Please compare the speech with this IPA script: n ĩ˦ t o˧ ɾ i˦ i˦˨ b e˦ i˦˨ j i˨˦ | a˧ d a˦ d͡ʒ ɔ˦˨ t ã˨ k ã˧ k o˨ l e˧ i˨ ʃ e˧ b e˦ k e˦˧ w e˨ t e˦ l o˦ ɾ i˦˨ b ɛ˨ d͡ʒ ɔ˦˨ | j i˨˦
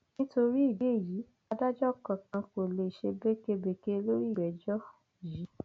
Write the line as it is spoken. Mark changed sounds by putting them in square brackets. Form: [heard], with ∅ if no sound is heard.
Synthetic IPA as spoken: n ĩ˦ t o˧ ɾ i˦ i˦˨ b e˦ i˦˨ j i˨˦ | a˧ d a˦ d͡ʒ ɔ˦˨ [k] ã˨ k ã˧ k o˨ l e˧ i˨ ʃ e˧ b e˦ k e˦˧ [b] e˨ [k] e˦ l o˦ ɾ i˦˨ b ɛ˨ d͡ʒ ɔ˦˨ | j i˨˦